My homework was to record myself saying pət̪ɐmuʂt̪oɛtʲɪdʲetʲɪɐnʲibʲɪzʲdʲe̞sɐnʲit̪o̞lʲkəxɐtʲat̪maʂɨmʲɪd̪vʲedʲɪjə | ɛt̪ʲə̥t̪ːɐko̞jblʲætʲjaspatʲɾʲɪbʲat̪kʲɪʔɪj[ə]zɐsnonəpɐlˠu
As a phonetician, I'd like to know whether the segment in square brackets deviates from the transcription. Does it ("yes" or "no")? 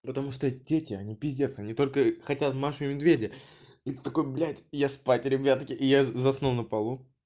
yes